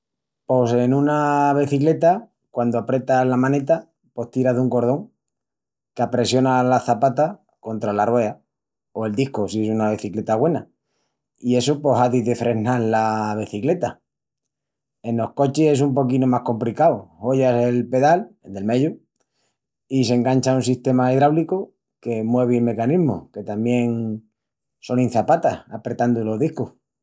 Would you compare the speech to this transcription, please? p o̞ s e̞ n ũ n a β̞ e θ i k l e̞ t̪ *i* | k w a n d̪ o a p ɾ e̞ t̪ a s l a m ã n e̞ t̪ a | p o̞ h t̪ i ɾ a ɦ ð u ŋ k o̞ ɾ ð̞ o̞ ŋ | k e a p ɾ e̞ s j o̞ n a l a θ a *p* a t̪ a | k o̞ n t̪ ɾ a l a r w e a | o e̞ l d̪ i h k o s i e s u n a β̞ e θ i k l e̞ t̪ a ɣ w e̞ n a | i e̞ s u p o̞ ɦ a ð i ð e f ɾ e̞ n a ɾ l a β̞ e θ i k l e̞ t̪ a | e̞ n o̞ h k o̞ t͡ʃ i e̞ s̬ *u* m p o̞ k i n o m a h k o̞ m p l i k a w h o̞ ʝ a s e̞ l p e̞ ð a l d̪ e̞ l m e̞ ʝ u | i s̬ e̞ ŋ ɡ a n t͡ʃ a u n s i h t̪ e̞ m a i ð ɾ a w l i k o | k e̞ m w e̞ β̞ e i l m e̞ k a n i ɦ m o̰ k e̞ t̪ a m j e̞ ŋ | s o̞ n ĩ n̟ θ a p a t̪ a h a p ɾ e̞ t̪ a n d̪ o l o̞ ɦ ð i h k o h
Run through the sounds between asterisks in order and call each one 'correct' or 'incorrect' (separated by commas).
incorrect, correct, correct